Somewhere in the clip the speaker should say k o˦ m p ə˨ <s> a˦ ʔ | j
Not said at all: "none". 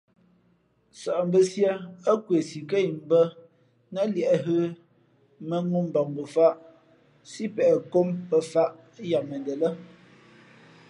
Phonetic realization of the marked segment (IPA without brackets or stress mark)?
f